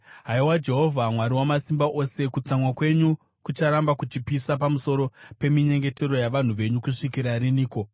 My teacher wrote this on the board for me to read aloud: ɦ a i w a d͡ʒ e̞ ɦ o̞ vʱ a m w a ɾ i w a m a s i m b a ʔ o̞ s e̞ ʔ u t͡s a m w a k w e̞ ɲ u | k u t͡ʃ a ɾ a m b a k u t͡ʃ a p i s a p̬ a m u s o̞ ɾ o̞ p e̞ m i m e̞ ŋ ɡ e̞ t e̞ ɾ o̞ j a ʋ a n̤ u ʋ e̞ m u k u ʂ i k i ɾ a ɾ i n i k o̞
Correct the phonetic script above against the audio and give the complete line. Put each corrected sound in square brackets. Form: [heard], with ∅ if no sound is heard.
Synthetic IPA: ɦ a i w a d͡ʒ e̞ ɦ o̞ vʱ a m w a ɾ i w a m a s i m b a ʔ o̞ s e̞ [k] u t͡s a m w a k w e̞ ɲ u | k u t͡ʃ a ɾ a m b a k u t͡ʃ [i] p i s a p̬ a m u s o̞ ɾ o̞ p e̞ m i [ɲ] e̞ ŋ ɡ e̞ t e̞ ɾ o̞ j a ʋ a n̤ u ʋ e̞ [ɲ] u k u ʂ i k i ɾ a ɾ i n [iː] k o̞